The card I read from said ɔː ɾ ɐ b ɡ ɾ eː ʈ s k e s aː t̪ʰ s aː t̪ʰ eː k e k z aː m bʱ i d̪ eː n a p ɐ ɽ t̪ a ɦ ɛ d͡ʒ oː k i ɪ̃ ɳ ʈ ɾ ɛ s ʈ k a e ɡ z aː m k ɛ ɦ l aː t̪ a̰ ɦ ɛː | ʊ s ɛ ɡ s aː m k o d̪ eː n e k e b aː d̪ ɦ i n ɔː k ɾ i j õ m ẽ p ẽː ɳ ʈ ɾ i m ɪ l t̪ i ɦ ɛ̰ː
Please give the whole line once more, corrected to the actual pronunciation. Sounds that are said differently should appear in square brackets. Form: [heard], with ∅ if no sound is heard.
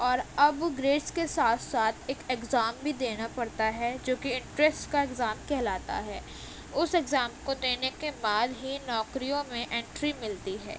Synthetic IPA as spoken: ɔː ɾ ɐ b ɡ ɾ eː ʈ s k e s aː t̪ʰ s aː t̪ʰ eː k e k z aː m bʱ i d̪ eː n a p ɐ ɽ t̪ a ɦ ɛ d͡ʒ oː k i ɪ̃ ɳ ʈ ɾ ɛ s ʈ k a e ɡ z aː m k ɛ ɦ l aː t̪ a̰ ɦ ɛː | ʊ s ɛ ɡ [z] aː m k o d̪ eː n e k e b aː d̪ ɦ i n ɔː k ɾ i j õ m ẽ [ʔ] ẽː ɳ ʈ ɾ i m ɪ l t̪ i ɦ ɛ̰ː